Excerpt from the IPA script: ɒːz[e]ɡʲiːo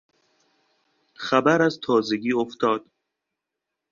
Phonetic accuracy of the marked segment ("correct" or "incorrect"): correct